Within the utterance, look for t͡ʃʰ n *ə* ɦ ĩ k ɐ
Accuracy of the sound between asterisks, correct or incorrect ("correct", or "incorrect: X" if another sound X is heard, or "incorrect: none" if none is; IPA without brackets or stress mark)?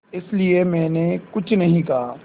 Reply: incorrect: ɐ